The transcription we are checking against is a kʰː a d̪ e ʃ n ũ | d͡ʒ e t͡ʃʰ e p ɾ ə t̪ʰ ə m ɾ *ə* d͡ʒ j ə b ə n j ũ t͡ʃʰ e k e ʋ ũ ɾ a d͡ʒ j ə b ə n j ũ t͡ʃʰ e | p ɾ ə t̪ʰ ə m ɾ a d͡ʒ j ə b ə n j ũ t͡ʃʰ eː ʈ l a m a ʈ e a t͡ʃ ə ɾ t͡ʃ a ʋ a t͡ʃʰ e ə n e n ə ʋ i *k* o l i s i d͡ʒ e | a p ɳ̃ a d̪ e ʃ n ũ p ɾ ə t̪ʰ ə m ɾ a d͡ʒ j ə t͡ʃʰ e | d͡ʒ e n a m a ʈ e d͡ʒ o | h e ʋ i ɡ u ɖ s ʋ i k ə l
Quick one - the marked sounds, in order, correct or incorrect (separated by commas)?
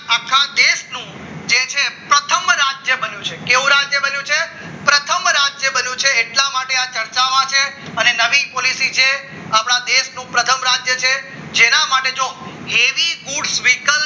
incorrect, incorrect